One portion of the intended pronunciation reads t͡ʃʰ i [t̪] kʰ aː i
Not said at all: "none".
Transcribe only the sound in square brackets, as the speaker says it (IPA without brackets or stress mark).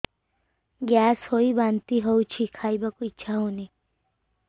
none